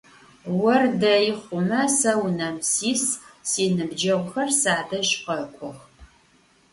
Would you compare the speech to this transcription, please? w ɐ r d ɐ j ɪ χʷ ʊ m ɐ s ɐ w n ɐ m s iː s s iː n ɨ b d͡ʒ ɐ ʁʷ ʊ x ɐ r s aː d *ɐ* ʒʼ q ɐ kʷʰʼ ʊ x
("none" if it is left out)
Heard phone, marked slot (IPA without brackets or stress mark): ɐ